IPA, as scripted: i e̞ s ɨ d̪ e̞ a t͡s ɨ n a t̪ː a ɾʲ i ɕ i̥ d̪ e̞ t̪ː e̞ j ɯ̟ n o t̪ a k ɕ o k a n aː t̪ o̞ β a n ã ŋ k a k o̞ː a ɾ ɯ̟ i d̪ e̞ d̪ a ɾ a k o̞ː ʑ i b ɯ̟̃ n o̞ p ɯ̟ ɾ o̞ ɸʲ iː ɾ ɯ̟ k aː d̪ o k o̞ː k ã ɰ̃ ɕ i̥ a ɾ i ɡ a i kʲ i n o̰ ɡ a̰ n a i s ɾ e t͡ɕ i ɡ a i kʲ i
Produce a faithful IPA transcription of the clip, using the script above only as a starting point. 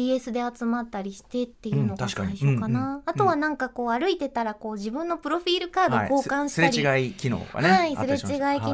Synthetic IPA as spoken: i e̞ s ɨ d̪ e̞ a t͡s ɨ m a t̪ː a ɾʲ i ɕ i̥ t̪ e̞ t̪ː e̞ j ɯ̟ n o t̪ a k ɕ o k a n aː t̪ o̞ β a n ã ŋ k a k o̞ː a ɾ ɯ̟ i t̪ e̞ t̪ a ɾ a k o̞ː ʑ i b ɯ̟̃ nː o̞ p ɯ̟ ɾ o̞ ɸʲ iː ɾ ɯ̟ k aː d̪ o k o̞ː k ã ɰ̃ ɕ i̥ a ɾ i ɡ a i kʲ i n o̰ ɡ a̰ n a i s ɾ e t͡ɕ i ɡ a i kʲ i